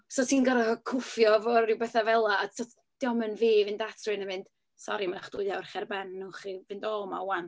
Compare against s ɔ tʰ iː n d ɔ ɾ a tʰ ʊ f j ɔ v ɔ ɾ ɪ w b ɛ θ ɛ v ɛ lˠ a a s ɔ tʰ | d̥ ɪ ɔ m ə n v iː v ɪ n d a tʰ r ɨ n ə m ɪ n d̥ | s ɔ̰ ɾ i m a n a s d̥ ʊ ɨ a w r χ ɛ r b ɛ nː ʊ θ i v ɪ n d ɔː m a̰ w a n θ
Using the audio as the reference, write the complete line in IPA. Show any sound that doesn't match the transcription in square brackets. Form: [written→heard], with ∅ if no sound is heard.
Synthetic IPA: s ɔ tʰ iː n [d→ɡ] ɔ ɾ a [tʰ→kʰ] ʊ f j ɔ v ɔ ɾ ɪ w b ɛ θ [ɛ→a] v ɛ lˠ a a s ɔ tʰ | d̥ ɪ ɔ m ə n v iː v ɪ n d a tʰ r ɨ n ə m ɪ n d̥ | s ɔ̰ ɾ i m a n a [s→χ] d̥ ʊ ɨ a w r χ ɛ r b ɛ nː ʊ [θ→χ] i v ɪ n d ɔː m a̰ w a n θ